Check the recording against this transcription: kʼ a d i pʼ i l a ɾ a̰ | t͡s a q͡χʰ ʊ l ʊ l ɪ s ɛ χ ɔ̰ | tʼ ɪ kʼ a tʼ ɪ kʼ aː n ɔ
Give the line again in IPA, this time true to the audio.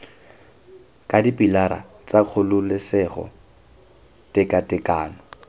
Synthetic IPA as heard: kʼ a d i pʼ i l a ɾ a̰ | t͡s a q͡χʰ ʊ l ʊ l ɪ s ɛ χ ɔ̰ | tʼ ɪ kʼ a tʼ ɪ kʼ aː n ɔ